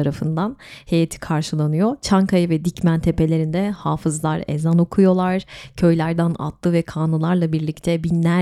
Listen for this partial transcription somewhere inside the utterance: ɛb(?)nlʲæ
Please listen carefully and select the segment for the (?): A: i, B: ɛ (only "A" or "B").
A